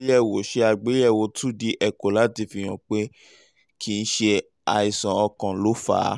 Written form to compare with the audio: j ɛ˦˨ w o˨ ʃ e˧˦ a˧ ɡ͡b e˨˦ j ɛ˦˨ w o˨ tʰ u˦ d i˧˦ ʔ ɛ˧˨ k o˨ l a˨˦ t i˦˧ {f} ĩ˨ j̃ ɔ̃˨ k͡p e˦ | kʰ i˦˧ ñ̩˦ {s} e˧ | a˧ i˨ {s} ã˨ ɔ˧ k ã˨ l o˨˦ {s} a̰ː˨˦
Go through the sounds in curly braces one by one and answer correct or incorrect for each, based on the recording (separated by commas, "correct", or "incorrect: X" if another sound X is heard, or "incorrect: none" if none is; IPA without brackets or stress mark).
correct, incorrect: ʃ, correct, incorrect: f